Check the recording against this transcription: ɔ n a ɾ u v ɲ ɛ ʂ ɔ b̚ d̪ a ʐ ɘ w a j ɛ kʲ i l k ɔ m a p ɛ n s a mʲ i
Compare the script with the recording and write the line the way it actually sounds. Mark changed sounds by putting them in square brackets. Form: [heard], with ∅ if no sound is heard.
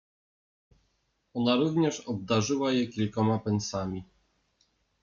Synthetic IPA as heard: ɔ n a ɾ u v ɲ ɛ ʂ ɔ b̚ d̪ a ʐ ɘ w a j ɛ kʲ i l k ɔ m a p ɛ n s a mʲ i